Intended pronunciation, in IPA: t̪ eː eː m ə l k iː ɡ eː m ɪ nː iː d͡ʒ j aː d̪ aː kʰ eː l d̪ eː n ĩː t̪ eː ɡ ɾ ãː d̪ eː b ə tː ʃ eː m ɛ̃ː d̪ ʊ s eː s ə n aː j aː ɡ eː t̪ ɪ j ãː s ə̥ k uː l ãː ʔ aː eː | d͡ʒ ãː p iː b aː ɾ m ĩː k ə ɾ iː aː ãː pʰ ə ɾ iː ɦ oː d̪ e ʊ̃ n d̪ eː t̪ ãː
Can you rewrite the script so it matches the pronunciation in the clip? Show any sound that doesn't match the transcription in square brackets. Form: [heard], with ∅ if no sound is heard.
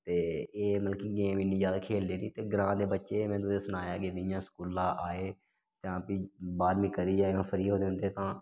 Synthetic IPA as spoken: t̪ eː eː m ə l k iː ɡ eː m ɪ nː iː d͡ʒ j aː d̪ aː kʰ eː l d̪ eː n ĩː t̪ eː ɡ ɾ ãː d̪ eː b ə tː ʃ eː m ɛ̃ː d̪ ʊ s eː s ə n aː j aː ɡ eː [d̪] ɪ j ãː s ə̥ k uː l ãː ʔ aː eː | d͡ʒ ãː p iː b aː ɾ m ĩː k ə ɾ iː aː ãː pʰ ə ɾ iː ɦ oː d̪ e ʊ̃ n d̪ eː t̪ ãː